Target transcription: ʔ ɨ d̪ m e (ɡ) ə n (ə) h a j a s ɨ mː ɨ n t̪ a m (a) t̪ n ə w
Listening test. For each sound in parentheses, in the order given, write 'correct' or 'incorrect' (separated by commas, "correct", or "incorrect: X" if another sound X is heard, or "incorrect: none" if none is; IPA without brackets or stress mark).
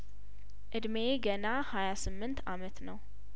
correct, incorrect: a, incorrect: ə